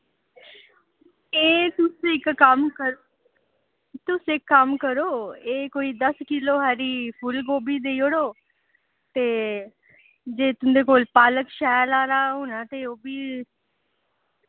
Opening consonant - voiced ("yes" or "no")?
no